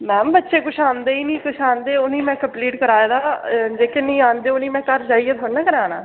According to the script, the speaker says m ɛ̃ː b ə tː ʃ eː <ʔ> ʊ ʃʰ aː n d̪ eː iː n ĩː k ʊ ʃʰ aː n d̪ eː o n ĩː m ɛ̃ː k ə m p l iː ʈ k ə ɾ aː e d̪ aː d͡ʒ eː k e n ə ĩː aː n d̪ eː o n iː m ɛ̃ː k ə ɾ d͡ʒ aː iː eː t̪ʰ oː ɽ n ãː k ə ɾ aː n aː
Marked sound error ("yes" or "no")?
yes